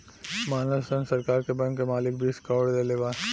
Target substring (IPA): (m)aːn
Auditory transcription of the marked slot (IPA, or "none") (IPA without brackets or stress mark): m